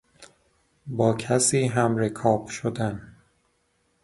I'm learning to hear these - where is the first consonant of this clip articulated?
lips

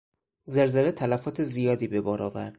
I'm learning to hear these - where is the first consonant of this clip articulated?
tongue tip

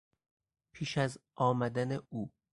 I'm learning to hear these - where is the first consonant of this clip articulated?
lips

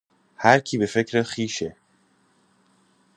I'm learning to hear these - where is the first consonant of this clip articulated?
throat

